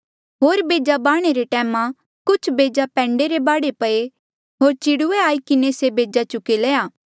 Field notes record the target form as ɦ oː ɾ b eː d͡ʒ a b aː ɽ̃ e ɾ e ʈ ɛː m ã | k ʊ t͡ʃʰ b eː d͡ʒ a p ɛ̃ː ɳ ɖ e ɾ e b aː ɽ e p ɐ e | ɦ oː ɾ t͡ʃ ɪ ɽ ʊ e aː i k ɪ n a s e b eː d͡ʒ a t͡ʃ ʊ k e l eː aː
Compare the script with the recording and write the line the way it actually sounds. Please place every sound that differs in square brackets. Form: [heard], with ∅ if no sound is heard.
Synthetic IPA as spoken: ɦ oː ɾ b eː d͡ʒ a b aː ɽ̃ e ɾ e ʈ ɛː m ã | k ʊ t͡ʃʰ b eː d͡ʒ a p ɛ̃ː ɳ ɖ e ɾ e b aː ɽ e p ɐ e | ɦ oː ɾ t͡ʃ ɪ ɽ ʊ e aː i k ɪ n [e] s e b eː d͡ʒ a t͡ʃ ʊ k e l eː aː